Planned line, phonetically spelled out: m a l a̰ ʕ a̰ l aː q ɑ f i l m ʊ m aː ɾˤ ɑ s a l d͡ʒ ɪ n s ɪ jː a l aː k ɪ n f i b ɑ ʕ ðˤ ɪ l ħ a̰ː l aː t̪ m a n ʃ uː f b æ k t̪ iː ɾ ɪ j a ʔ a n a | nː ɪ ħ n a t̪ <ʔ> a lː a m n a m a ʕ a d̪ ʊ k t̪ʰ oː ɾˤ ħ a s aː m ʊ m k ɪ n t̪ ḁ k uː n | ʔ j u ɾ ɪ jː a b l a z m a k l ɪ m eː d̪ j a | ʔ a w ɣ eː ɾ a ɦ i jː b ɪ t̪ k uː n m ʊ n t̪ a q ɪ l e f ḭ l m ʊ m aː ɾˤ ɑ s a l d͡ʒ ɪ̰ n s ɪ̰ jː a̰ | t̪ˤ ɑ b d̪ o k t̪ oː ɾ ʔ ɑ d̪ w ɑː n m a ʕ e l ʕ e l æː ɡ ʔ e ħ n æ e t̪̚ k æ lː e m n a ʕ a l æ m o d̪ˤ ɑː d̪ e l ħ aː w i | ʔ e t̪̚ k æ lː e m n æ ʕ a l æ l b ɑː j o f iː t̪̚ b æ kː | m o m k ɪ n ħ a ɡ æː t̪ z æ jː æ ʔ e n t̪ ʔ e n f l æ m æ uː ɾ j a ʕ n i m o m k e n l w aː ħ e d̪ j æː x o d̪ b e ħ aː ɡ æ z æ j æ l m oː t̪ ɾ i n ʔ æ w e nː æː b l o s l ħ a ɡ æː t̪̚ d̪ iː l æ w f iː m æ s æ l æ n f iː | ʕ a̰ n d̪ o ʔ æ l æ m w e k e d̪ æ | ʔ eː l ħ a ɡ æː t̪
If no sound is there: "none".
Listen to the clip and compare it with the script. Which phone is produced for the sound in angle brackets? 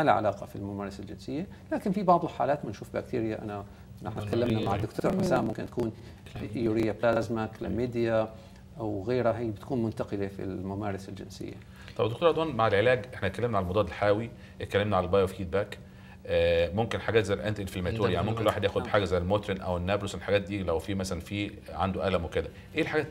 k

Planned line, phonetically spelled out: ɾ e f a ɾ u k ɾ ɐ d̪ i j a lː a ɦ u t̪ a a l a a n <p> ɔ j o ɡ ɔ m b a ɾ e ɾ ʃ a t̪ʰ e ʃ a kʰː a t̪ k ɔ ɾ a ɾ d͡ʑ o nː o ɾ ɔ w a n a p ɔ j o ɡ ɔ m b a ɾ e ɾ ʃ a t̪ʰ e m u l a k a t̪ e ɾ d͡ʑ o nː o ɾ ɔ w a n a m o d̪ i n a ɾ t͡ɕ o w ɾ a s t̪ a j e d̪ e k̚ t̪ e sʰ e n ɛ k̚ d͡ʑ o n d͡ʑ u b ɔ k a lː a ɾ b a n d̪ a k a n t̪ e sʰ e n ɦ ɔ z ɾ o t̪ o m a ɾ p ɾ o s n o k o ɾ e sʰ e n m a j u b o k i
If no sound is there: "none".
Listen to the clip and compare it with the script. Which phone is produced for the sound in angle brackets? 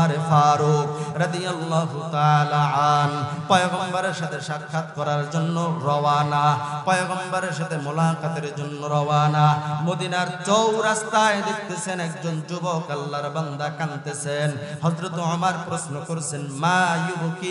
p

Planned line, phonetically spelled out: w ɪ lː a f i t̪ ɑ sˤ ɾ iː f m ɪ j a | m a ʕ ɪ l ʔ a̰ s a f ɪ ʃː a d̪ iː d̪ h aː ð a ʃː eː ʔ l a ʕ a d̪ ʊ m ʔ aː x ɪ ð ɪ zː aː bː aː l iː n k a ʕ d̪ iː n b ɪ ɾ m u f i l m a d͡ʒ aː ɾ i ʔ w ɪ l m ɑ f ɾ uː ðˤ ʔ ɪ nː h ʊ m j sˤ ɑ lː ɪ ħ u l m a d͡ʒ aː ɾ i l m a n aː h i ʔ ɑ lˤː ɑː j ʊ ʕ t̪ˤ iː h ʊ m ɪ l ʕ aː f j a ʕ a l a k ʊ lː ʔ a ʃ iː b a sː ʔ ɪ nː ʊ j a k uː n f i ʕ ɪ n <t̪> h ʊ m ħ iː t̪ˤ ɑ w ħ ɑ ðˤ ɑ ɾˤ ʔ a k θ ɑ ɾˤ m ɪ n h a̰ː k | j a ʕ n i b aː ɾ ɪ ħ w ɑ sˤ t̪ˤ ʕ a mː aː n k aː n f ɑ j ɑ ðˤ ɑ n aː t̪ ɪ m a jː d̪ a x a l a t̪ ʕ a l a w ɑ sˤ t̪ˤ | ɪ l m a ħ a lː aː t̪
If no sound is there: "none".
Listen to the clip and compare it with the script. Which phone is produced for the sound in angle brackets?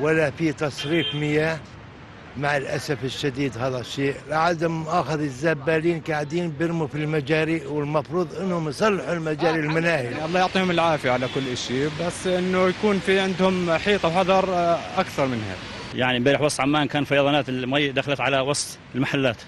d̪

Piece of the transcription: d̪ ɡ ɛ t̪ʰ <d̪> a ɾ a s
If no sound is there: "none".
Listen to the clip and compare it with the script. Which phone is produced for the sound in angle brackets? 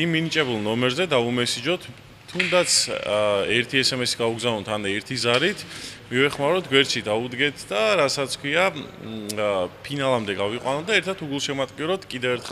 d̪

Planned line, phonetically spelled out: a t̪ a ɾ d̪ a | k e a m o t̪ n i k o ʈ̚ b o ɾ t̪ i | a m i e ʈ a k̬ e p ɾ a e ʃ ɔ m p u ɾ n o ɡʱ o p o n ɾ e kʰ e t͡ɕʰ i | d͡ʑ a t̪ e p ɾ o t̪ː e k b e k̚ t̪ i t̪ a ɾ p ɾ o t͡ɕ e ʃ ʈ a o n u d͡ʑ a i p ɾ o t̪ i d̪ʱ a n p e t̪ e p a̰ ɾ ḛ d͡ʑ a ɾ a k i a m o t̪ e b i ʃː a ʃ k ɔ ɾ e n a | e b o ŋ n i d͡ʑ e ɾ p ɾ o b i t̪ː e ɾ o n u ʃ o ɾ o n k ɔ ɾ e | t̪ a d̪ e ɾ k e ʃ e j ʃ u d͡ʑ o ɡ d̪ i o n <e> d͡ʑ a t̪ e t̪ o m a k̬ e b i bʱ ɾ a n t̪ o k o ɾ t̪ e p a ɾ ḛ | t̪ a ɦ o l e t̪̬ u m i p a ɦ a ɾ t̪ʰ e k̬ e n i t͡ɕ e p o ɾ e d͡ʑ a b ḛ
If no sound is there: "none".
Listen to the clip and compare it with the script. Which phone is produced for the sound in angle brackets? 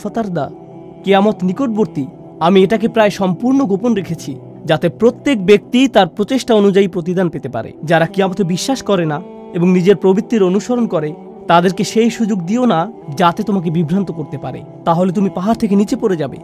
a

